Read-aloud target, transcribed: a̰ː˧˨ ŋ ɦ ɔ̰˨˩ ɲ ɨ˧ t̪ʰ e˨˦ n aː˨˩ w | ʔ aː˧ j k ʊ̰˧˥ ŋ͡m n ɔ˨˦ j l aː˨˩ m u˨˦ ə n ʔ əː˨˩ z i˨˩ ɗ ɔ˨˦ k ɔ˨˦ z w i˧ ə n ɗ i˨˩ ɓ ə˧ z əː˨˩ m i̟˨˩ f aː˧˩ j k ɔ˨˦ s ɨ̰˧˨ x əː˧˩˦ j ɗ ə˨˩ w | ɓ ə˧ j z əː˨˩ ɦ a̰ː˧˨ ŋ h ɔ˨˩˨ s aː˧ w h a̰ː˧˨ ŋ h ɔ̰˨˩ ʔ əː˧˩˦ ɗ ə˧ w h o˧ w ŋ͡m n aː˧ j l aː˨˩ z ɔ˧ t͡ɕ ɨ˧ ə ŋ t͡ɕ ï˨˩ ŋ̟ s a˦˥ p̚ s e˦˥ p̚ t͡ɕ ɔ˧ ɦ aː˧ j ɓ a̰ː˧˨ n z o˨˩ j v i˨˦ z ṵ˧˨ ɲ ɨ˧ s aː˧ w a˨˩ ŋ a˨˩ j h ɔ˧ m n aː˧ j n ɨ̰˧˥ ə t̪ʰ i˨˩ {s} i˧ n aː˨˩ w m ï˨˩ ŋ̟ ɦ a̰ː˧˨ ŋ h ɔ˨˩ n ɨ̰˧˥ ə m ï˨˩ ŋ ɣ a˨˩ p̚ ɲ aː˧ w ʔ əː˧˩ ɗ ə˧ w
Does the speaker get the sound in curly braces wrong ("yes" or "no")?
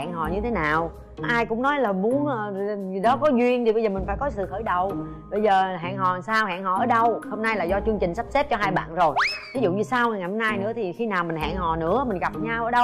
yes